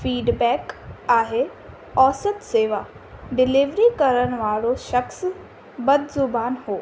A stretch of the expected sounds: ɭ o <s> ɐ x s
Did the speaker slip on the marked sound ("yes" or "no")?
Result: yes